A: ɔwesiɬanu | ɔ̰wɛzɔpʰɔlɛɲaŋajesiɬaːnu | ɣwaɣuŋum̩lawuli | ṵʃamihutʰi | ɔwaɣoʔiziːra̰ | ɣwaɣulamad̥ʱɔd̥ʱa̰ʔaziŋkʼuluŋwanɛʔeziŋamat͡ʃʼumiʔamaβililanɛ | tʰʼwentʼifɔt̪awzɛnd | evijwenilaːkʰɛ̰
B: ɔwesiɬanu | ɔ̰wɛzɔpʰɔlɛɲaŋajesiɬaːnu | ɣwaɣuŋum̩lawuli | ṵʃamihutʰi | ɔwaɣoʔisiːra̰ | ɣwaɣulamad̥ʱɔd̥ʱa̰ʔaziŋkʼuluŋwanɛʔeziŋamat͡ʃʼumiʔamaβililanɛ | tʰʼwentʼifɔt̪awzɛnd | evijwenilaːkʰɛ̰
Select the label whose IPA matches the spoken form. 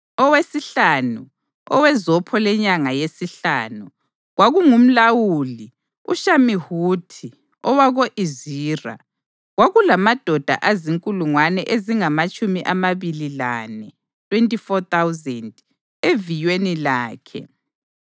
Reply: A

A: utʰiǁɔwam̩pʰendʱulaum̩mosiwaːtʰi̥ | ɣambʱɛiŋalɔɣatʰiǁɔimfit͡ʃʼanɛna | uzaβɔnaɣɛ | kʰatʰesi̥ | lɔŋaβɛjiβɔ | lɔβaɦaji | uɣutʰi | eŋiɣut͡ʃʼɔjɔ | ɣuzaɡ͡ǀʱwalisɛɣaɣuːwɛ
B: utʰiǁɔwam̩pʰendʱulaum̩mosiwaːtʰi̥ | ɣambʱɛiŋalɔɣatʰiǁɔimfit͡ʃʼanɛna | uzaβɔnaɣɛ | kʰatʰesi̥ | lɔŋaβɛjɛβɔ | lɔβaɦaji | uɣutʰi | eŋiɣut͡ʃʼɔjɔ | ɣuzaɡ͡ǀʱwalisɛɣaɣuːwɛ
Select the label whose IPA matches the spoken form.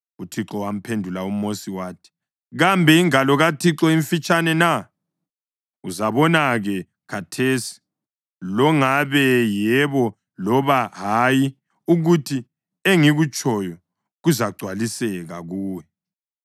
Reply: B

